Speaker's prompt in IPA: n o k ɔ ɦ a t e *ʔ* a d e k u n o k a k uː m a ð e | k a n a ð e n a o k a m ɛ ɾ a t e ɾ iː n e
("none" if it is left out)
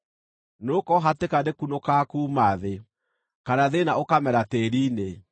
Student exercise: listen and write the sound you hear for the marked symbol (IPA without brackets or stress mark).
k